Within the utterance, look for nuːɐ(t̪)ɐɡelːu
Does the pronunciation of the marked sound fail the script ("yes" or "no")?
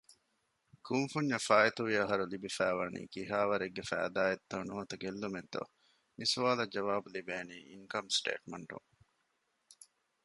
no